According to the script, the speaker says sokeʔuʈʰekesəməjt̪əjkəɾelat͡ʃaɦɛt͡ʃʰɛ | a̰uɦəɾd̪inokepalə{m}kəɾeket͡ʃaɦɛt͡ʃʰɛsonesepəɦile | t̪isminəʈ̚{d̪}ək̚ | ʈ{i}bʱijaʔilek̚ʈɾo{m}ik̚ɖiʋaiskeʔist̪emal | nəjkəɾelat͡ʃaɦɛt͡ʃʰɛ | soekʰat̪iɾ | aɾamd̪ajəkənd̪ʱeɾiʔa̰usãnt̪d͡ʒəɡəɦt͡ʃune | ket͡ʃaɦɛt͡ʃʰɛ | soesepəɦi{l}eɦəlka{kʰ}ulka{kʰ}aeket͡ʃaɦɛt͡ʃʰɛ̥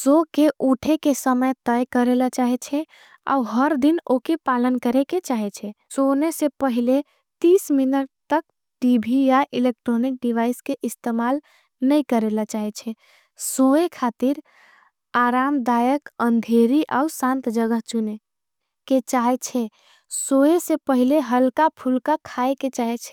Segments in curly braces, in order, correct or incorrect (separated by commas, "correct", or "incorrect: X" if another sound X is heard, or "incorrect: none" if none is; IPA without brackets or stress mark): incorrect: n, incorrect: t̪, correct, incorrect: n, correct, incorrect: pʰ, correct